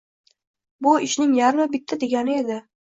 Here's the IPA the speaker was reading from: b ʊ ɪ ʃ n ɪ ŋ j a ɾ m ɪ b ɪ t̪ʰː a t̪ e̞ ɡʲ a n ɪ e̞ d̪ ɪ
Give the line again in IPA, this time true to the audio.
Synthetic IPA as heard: b ʊ ɪ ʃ n ɪ ŋ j a ɾ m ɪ b ɪ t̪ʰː a d̪ e̞ ɡʲ a n ɪ e̞ d̪ ɪ